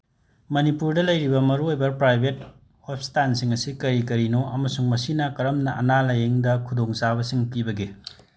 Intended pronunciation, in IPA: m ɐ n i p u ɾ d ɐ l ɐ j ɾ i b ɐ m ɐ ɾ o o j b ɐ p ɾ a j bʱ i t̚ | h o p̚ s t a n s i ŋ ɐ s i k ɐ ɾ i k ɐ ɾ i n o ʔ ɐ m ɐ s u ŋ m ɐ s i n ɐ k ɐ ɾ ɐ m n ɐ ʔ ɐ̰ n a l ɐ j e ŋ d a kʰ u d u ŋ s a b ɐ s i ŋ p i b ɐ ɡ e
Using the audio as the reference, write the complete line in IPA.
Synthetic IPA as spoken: m ɐ n i p u ɾ d ɐ l ɐ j ɾ i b ɐ m ɐ ɾ u o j b ɐ p ɾ a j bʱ e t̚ | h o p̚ s t a n s i ŋ ɐ s i k ɐ ɾ i k ɐ ɾ i n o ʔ ɐ m ɐ s u ŋ m ɐ s i n ɐ k ɐ ɾ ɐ m n ɐ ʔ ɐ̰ n a l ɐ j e ŋ d ɐ kʰ u d o ŋ s a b ɐ s i ŋ p i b ɐ ɡ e